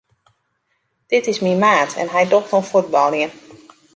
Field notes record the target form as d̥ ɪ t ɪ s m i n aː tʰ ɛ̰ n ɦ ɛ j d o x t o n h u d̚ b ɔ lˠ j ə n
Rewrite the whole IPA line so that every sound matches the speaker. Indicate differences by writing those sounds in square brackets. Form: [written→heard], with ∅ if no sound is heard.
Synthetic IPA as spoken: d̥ ɪ t ɪ s m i [n→m] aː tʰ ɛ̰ n ɦ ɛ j d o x t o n [h→f] u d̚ b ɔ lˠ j ə n